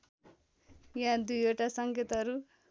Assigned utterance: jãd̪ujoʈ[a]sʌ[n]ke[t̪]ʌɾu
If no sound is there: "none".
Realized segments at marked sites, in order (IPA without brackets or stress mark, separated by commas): a, ŋ, t̪